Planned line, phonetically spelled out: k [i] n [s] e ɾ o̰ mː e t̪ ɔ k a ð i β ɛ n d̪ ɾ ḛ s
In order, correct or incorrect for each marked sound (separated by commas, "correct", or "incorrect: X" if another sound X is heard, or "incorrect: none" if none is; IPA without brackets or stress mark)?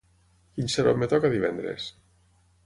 correct, correct